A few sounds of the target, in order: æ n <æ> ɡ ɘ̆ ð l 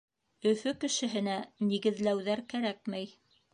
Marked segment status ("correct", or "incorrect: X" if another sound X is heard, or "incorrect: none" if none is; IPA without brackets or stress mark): incorrect: i